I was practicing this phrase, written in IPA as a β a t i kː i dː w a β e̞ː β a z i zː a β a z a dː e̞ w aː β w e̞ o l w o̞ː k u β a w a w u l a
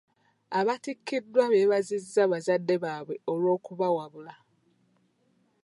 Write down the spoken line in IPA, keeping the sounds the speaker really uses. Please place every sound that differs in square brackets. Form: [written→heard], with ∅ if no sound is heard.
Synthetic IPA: a β a t i kː i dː w a β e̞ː β a z i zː a β a z a dː e̞ [w→β] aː β w e̞ o l w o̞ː k u β a w a [w→β] u l a